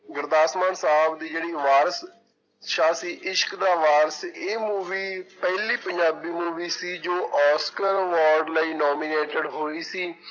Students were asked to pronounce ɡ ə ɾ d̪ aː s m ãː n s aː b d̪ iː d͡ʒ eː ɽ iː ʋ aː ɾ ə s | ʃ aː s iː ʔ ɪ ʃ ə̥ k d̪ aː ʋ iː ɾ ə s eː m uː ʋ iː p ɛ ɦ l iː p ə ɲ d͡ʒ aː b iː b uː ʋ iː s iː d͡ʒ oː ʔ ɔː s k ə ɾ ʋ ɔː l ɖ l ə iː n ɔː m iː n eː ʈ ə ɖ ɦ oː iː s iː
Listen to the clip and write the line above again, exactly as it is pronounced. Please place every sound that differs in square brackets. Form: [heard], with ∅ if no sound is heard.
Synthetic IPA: ɡ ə ɾ d̪ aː s m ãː n s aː b d̪ iː d͡ʒ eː ɽ iː ʋ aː ɾ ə s | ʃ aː s iː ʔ ɪ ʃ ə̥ k d̪ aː ʋ [aː] ɾ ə s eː m uː ʋ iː p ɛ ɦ l iː p ə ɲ d͡ʒ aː b iː [m] uː ʋ iː s iː d͡ʒ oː ʔ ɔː s k ə ɾ ʋ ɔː [ɾ] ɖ l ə iː n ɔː m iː n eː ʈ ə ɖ ɦ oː iː s iː